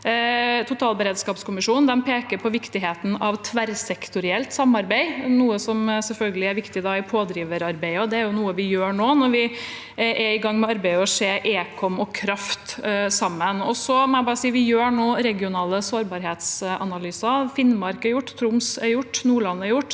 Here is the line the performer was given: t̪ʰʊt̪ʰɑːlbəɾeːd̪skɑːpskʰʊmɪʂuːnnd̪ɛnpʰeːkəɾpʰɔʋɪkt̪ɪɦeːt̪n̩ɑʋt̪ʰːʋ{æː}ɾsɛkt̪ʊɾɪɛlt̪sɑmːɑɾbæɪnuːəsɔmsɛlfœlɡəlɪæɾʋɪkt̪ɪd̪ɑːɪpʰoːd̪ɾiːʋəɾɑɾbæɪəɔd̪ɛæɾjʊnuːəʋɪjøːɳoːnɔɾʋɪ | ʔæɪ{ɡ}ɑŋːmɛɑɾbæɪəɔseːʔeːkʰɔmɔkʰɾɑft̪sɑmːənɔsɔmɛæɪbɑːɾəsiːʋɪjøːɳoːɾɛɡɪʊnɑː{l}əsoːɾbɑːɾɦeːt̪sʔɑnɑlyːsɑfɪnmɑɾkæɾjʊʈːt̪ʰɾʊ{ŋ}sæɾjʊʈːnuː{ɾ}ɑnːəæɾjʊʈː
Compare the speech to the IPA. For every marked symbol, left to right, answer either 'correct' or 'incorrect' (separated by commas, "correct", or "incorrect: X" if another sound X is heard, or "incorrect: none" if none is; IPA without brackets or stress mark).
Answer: incorrect: æ, correct, correct, incorrect: m, incorrect: ɭ